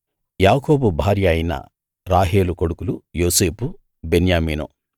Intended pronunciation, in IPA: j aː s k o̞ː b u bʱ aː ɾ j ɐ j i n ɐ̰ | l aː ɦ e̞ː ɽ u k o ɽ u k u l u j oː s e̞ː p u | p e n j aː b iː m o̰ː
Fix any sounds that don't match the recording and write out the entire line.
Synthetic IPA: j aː k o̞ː b u bʱ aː ɾ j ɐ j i n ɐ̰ | ɾ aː ɦ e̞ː l u k o ɽ u k u l u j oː s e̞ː p u | b e n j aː m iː n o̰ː